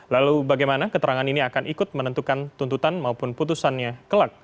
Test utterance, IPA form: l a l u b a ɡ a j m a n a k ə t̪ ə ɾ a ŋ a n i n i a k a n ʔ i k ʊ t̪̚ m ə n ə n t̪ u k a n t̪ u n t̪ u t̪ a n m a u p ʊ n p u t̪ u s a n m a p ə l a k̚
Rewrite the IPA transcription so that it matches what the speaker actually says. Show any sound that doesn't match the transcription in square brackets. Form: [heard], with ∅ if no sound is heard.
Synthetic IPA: l a l u b a ɡ a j m a n a k ə t̪ ə ɾ a ŋ a n i n i a k a n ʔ i k ʊ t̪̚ m ə n ə n t̪ u k a n t̪ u n t̪ u t̪ a n m a u p ʊ n p u t̪ u s a n [ɲ] a [k] ə l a k̚